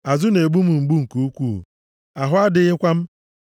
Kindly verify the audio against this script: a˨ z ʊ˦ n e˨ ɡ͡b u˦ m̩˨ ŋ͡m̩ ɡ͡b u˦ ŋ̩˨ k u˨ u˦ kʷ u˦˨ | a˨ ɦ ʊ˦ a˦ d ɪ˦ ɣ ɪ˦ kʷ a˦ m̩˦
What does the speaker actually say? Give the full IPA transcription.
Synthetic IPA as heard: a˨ z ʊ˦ n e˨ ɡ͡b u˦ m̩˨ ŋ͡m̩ ɡ͡b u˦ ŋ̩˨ k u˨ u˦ kʷ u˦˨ | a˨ ɦ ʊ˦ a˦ d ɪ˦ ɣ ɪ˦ kʷ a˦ m̩˦